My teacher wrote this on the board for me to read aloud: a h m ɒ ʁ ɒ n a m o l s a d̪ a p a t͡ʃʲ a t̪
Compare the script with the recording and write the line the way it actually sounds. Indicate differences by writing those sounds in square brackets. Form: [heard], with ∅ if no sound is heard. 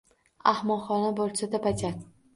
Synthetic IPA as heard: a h m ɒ [χ] ɒ n a [b] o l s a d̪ a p a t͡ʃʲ a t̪